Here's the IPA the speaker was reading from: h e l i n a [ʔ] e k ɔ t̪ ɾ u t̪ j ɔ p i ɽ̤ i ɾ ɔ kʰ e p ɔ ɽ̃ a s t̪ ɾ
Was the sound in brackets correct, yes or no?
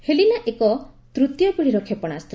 yes